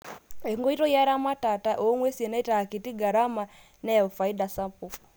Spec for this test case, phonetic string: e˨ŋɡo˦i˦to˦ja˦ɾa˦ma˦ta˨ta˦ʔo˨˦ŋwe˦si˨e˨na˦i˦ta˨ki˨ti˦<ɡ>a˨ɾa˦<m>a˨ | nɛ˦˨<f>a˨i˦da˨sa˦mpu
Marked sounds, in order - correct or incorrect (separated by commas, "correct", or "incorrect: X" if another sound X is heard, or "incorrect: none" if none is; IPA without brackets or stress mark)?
correct, correct, correct